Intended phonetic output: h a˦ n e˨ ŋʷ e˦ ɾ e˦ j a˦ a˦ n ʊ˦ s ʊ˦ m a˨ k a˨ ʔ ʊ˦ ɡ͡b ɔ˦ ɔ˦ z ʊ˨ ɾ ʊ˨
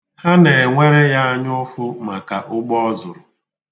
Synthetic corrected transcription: h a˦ n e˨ ŋʷ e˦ ɾ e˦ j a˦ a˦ ɲ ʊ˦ f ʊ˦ m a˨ k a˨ ʔ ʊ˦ ɡ͡b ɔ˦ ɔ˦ z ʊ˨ ɾ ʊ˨